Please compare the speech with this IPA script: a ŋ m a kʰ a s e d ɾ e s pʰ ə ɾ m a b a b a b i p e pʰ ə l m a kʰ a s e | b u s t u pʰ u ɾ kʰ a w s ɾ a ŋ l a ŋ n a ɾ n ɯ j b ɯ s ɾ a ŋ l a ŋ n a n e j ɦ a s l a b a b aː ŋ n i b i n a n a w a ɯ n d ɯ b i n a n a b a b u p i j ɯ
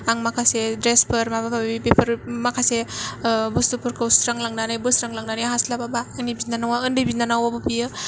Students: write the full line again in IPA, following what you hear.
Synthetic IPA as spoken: a ŋ m a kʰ a s e d ɾ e s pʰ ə ɾ m a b a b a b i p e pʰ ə ɾ m a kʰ a s e | b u s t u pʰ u ɾ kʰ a w s ɾ a ŋ l a ŋ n a n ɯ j b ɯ s ɾ a ŋ l a ŋ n a n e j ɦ a s l a b a b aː ŋ n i b i n a n a w a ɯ n d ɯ b i n a n a w a b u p i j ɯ